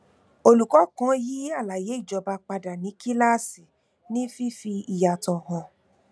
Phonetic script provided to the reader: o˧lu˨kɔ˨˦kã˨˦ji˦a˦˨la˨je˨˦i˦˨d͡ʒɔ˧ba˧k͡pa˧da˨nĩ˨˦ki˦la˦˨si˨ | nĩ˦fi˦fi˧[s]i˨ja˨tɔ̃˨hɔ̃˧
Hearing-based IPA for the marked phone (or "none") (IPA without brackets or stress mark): none